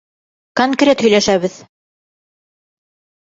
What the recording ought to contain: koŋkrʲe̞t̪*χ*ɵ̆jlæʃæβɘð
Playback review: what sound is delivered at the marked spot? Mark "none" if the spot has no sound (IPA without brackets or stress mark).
h